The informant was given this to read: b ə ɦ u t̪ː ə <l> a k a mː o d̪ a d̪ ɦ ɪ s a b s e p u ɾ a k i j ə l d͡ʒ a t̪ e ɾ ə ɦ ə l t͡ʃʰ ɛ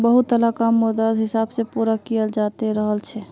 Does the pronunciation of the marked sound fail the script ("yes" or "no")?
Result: no